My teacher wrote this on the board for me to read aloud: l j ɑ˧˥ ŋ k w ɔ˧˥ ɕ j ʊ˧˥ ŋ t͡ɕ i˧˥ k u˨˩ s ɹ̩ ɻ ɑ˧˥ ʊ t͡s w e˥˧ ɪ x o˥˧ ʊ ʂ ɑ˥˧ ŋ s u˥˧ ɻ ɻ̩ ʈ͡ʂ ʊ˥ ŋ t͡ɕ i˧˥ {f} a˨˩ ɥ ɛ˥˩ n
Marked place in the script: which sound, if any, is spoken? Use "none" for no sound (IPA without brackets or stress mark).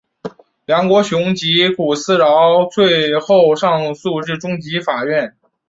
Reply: f